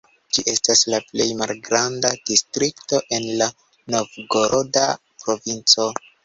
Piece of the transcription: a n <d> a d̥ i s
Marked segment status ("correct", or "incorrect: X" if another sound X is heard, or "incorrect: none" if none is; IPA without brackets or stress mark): correct